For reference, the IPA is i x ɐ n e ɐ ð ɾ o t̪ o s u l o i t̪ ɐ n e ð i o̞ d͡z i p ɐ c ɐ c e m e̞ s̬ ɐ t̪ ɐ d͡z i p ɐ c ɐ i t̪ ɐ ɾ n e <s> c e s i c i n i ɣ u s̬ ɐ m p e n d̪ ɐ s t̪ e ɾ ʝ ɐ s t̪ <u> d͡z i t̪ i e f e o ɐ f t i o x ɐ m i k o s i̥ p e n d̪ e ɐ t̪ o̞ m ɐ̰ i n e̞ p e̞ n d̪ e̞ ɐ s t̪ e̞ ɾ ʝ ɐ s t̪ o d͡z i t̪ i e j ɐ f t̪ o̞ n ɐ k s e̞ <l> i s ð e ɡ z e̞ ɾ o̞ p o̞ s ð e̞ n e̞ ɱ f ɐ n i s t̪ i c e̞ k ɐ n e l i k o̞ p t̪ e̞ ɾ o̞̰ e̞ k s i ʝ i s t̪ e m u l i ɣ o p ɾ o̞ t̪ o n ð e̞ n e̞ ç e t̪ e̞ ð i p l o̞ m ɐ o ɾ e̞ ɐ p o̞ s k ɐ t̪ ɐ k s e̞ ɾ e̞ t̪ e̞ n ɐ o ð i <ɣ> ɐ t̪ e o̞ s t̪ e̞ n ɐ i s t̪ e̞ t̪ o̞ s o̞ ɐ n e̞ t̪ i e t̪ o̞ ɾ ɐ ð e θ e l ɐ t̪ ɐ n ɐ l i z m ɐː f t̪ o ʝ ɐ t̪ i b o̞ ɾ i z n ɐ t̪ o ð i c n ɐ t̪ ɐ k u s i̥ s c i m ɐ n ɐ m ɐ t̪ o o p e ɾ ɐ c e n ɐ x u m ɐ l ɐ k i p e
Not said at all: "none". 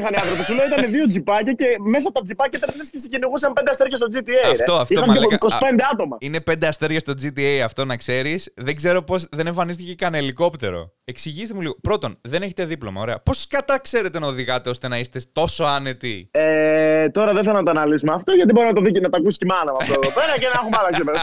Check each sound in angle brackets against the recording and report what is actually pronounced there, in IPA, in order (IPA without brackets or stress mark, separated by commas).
s, o, ɾ, ɣ